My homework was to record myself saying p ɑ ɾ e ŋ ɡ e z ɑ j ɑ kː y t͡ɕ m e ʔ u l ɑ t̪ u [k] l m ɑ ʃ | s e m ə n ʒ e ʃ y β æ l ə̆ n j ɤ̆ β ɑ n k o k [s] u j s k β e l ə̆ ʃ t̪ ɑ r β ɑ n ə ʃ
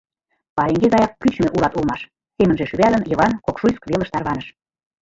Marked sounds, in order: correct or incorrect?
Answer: incorrect: none, incorrect: ʃ

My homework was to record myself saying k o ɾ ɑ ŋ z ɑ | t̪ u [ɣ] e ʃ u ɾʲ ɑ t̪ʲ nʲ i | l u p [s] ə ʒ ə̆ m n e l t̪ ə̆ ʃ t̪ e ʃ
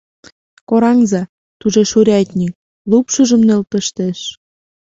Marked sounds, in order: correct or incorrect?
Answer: incorrect: ʒ, incorrect: ʃ

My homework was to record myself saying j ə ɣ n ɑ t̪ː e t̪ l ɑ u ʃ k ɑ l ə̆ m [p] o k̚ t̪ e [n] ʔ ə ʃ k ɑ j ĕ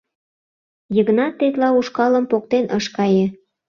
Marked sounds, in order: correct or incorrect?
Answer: correct, correct

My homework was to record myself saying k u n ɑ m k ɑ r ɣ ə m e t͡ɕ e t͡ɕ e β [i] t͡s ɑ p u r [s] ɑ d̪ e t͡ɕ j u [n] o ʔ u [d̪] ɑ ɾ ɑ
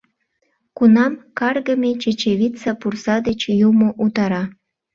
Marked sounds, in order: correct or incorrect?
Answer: correct, correct, incorrect: m, incorrect: t̪

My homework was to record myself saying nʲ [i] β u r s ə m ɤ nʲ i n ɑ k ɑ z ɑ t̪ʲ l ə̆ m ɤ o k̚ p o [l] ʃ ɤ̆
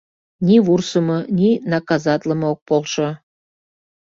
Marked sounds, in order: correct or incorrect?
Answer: correct, correct

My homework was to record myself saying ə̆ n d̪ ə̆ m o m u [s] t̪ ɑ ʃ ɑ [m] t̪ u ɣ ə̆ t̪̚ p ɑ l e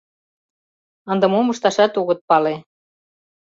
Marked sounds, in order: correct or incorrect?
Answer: incorrect: ʃ, incorrect: none

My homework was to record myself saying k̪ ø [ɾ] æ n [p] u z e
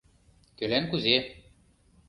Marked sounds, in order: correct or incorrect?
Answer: incorrect: l, incorrect: k

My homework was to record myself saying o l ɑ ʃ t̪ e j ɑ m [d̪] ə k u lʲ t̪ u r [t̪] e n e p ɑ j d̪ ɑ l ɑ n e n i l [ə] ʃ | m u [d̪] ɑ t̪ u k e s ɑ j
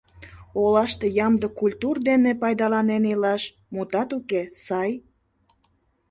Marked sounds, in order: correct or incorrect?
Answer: correct, incorrect: d̪, incorrect: ɑ, incorrect: t̪

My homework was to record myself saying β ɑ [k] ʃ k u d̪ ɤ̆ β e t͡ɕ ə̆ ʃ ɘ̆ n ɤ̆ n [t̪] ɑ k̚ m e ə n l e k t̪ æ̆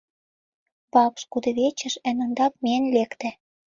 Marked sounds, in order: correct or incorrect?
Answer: incorrect: p, incorrect: d̪

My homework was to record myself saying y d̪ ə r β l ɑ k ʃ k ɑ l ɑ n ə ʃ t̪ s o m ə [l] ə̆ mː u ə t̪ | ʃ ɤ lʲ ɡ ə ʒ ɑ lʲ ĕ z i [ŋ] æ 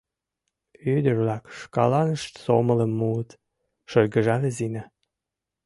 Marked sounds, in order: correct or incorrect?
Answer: correct, incorrect: n

